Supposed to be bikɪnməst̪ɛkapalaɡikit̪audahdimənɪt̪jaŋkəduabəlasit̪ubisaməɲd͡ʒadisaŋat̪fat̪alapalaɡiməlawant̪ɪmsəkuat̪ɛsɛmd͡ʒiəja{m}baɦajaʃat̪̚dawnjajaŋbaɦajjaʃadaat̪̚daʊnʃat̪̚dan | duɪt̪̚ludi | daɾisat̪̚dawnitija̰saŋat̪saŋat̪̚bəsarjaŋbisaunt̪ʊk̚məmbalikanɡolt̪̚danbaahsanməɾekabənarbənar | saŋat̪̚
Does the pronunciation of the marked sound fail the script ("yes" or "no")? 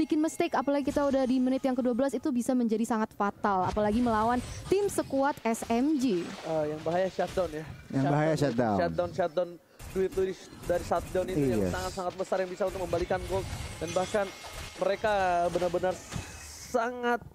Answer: yes